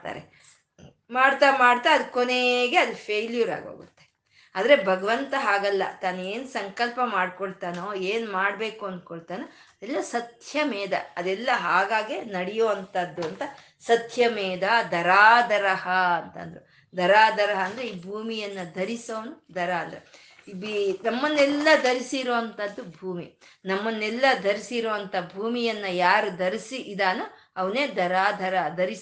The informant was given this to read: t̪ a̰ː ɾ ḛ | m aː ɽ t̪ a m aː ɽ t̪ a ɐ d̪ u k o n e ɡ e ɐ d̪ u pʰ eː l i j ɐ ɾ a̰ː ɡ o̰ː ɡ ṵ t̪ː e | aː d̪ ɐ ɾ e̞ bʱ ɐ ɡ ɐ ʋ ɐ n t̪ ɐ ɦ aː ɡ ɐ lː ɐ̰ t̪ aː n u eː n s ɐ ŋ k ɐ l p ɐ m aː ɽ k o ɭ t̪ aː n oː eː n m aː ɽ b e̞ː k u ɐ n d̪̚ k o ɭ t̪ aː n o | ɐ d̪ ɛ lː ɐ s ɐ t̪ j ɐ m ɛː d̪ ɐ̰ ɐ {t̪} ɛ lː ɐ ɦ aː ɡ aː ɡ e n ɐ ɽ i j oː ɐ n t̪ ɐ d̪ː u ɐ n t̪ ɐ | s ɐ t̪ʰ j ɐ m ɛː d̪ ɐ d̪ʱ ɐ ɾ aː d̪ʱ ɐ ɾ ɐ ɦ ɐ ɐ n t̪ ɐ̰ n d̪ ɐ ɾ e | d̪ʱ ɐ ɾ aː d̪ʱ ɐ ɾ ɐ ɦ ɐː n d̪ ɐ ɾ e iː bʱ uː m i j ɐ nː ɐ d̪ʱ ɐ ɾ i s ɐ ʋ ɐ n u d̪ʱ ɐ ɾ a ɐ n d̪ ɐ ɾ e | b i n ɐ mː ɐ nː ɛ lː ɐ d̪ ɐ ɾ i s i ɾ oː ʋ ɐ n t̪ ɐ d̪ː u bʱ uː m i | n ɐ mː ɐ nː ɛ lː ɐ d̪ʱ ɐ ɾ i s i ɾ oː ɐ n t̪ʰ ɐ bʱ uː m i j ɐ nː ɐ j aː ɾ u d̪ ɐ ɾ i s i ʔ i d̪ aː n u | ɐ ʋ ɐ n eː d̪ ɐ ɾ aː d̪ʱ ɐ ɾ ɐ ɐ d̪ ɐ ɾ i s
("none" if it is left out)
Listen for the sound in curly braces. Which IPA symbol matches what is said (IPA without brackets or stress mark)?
d̪